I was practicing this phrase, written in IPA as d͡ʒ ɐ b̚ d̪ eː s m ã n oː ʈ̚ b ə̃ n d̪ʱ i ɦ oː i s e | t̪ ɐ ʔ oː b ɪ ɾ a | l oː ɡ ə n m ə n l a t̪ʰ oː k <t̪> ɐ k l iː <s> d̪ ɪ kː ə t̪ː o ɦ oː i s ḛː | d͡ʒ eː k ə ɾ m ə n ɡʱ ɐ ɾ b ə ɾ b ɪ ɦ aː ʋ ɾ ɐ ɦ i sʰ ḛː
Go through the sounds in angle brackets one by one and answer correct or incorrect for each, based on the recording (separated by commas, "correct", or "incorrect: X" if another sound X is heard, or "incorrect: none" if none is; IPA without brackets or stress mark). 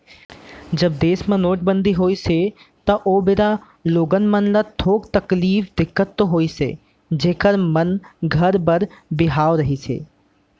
correct, incorrect: f